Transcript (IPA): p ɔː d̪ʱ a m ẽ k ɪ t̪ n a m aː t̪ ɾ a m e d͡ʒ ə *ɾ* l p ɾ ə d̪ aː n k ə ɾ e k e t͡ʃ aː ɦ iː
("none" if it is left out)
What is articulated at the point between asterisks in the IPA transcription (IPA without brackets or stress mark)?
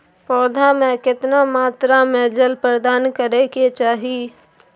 none